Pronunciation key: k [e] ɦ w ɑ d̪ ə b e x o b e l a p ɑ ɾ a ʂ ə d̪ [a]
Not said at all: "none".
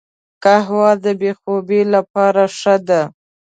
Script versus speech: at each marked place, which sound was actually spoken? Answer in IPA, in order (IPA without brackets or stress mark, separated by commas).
a, a